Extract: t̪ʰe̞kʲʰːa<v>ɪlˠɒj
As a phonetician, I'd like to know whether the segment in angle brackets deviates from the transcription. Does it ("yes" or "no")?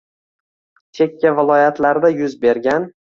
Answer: no